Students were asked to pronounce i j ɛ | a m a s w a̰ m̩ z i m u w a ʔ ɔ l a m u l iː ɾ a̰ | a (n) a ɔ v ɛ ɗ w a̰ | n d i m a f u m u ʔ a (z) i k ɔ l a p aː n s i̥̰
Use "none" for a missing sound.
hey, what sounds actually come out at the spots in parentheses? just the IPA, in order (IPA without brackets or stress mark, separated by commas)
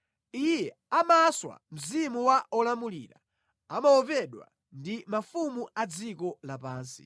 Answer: m, d͡z